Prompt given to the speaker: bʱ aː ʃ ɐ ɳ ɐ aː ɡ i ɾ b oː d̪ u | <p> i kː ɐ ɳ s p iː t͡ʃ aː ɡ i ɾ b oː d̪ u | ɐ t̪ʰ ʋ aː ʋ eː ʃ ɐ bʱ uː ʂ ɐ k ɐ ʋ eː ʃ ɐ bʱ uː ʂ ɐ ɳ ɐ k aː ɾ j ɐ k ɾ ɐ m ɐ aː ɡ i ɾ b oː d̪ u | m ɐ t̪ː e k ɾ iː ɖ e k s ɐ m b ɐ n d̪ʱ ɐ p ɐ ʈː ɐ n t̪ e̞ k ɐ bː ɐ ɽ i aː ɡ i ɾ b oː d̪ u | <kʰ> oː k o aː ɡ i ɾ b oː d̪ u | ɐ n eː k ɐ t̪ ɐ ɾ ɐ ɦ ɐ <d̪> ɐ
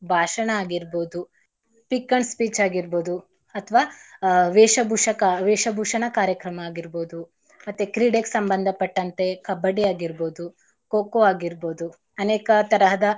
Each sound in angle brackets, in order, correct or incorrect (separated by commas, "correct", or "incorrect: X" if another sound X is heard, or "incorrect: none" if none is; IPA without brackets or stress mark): correct, incorrect: k, correct